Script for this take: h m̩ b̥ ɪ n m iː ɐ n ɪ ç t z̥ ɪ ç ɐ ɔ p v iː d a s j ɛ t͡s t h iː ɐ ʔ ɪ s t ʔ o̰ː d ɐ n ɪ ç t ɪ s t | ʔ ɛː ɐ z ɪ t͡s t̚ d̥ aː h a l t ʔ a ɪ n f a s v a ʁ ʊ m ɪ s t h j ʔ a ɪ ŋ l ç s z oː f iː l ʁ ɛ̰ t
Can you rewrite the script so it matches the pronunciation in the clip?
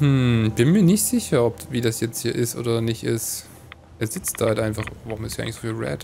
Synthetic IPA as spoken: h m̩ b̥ ɪ n m iː ɐ n ɪ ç t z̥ ɪ ç ɐ ɔ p v iː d a s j ɛ t͡s t h iː ɐ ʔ ɪ s t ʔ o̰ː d ɐ n ɪ ç t ɪ s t | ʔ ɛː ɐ z ɪ t͡s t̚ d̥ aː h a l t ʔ a ɪ n f a χ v a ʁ ʊ m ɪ s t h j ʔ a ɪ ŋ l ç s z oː f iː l ʁ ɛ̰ t